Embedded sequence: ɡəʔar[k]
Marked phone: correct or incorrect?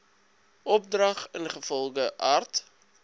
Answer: incorrect